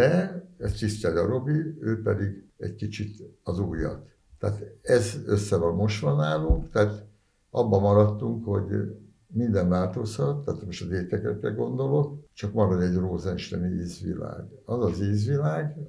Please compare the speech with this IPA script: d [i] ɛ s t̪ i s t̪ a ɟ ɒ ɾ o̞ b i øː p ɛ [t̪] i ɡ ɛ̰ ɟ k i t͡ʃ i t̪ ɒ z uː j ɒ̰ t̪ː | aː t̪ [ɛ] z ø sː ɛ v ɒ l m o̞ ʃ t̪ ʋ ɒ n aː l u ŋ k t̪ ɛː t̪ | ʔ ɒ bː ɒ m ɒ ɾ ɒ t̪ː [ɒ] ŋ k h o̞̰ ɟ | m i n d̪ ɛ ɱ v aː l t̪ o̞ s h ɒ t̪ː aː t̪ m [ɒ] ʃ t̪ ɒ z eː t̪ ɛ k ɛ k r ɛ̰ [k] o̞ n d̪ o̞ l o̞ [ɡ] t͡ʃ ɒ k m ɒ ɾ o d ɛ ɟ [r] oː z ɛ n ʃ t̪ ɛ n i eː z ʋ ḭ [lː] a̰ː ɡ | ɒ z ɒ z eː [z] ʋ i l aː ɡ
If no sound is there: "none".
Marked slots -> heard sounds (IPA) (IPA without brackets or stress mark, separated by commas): ɛ, d̪, ɛ, u, o, ɡ, k, r, l, z